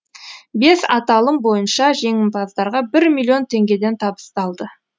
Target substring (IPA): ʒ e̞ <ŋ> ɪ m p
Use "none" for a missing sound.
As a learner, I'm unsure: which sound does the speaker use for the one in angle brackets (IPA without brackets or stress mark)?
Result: ŋ